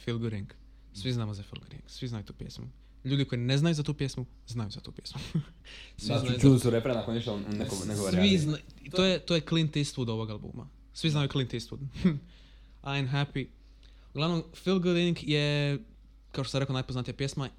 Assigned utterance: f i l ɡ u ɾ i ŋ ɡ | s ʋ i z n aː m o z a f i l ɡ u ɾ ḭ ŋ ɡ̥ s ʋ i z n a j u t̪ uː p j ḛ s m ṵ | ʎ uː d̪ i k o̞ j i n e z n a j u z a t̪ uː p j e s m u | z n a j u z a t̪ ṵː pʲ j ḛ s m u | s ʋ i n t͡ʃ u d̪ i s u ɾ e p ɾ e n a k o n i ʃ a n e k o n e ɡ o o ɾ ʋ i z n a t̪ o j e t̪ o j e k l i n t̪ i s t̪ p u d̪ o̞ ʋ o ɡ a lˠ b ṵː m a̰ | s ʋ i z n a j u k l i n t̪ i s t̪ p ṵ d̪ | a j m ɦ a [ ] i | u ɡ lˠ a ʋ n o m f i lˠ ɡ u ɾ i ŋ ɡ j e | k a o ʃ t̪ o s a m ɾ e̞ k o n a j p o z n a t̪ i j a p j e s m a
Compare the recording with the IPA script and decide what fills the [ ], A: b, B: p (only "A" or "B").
B